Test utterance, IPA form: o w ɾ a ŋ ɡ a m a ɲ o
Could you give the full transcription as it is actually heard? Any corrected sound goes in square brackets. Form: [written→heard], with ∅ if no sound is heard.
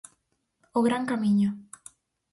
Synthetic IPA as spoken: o [w→ɣ] ɾ a ŋ [ɡ→k] a m [a→i] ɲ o